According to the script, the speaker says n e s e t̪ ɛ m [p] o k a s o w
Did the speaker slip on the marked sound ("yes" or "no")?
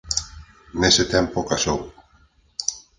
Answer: no